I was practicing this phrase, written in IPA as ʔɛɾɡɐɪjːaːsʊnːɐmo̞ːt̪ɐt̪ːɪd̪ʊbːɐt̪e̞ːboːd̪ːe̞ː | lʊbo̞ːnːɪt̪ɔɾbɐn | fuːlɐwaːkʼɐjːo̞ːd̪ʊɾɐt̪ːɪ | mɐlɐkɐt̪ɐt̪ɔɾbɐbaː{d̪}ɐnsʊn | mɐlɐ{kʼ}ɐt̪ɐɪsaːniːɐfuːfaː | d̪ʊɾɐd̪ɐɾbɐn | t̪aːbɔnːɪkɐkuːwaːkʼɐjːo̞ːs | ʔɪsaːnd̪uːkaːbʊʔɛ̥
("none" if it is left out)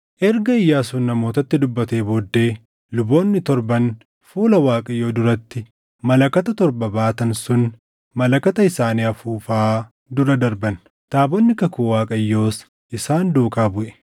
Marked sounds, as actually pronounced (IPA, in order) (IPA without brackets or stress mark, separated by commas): t̪, k